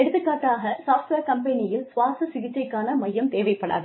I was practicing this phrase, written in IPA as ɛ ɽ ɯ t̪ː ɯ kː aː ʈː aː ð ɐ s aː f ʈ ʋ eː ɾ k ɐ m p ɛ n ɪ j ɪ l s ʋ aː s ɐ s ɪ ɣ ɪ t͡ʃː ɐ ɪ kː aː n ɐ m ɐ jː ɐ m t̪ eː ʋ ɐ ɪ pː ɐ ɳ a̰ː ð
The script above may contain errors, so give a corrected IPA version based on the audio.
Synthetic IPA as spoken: ɛ ɽ ɯ t̪ː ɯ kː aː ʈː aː ɣ ɐ s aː f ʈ ʋ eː ɾ k ɐ m p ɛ n ɪ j ɪ l s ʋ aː s ɐ s ɪ ɣ ɪ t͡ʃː ɐ ɪ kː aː n ɐ m ɐ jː ɐ m t̪ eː ʋ ɐ ɪ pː ɐ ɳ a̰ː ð